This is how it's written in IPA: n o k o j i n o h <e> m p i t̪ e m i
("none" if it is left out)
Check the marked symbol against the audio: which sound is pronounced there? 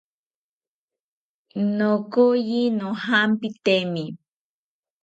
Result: a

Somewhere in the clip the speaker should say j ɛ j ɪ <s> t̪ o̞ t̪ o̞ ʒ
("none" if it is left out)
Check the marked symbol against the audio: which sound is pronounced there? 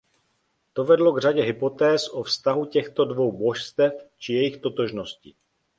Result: x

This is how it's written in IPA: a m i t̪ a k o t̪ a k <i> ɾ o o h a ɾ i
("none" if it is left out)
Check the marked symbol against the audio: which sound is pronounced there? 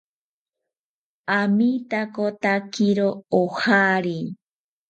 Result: i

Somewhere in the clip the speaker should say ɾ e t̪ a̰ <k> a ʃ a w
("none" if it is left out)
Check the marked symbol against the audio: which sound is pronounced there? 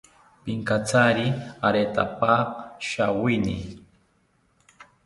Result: p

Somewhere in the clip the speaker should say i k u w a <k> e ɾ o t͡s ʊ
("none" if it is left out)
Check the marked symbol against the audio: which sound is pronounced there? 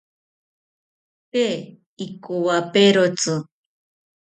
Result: p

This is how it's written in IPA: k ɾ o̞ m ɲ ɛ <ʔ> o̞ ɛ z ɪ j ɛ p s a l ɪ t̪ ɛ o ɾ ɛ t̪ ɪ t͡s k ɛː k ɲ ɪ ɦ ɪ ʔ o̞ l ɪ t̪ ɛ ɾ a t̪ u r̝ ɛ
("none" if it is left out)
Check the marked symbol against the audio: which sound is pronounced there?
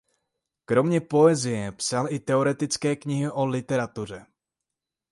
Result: p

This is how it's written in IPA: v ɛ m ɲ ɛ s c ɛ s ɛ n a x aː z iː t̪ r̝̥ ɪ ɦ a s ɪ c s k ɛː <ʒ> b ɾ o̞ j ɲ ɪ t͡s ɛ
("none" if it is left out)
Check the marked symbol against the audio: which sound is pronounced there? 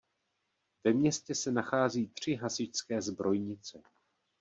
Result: z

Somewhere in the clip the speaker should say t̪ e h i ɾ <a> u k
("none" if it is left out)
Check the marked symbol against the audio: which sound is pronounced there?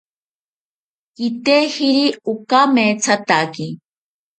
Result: i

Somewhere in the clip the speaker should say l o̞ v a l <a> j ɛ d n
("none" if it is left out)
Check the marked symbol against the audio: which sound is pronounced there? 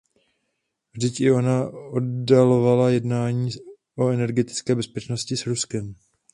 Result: a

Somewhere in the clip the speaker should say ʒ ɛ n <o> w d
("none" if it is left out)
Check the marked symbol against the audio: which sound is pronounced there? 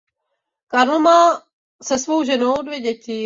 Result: o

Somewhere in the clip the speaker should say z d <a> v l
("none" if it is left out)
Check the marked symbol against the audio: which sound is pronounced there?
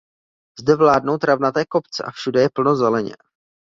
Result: ɛ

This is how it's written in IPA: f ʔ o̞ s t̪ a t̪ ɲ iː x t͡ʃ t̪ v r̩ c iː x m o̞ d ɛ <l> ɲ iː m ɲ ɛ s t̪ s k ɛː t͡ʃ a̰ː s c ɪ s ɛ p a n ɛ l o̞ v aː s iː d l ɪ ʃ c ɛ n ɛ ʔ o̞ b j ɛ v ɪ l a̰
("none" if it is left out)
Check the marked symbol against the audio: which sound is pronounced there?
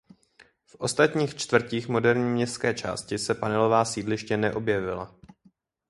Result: ɾ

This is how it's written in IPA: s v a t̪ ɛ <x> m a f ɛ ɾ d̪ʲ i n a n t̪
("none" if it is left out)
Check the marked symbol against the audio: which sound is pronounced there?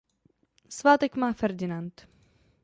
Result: k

